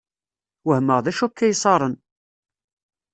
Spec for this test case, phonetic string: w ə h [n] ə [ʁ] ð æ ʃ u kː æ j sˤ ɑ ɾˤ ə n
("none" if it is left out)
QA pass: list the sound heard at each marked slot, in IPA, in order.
m, ʁ

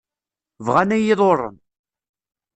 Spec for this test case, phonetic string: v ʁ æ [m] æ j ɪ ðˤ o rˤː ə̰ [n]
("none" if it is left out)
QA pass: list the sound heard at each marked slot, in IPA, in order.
n, n

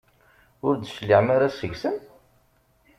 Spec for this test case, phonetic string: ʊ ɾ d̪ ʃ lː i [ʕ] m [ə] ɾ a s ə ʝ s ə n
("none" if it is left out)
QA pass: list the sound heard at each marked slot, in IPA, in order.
ʕ, a

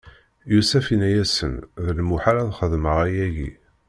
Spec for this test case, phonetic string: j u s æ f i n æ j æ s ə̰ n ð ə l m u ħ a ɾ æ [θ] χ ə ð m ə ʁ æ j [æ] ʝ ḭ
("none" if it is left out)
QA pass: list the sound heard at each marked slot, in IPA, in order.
ð, æ

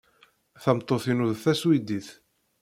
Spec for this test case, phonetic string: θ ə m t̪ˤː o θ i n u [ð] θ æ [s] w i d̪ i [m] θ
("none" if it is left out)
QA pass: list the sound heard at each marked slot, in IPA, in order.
ð, s, none

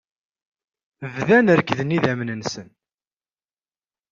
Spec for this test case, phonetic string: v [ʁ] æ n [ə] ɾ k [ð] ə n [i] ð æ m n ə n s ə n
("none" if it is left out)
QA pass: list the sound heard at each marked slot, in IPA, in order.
ð, ə, ð, i

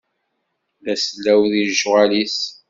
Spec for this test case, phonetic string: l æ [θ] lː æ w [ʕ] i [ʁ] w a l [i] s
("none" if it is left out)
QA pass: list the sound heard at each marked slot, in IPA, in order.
s, ð, ʒ, i

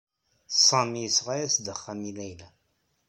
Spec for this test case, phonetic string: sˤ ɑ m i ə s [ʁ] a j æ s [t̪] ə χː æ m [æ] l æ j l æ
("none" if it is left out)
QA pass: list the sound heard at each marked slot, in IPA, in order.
ʁ, d̪, i

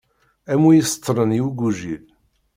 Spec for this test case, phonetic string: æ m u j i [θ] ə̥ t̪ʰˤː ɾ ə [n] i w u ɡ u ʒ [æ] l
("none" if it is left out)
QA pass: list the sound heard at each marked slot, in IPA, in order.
s, n, i

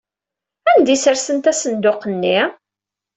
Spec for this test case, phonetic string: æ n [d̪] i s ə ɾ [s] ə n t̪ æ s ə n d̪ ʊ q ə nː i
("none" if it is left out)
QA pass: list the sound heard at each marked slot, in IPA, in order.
d̪, s

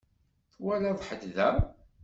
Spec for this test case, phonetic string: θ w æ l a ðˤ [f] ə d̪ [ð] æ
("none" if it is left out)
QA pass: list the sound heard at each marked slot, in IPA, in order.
ħ, ð

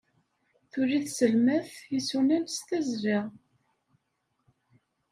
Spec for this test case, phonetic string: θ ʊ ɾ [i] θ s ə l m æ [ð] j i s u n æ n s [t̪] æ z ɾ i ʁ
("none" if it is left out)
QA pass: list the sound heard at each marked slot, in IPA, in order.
i, θ, t̪

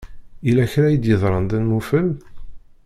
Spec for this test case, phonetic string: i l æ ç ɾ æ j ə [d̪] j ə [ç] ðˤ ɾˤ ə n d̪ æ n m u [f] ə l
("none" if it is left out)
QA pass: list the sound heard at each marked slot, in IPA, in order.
d̪, none, f

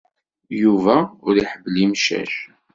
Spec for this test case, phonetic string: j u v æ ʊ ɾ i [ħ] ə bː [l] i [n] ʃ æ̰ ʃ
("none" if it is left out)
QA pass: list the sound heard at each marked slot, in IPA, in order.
ħ, l, m

